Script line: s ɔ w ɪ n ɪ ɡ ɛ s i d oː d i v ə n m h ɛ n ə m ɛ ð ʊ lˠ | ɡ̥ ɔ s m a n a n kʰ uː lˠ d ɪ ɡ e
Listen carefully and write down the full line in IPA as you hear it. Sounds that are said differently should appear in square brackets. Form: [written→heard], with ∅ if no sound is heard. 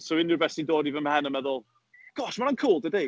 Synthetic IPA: s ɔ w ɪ n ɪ [ɡ→b] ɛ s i d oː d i v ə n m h ɛ n ə m ɛ ð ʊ lˠ | ɡ̥ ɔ [s→ʃ] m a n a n kʰ uː lˠ d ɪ [ɡ→d] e